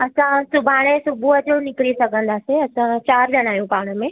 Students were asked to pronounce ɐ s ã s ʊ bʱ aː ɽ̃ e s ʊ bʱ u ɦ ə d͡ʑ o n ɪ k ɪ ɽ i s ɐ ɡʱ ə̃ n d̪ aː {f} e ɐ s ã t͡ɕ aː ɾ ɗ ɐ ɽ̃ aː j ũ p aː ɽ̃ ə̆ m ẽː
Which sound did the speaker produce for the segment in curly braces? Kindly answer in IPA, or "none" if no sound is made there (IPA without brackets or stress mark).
s